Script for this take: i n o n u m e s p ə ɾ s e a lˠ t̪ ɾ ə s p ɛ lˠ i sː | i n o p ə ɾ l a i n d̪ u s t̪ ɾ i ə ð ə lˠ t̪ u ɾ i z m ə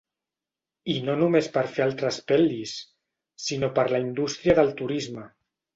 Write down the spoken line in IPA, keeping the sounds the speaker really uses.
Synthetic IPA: i n o n u m e s p ə ɾ f e a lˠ t̪ ɾ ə s p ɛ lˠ i sː | i n o p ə ɾ l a i n d̪ u s t̪ ɾ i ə ð ə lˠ t̪ u ɾ i z m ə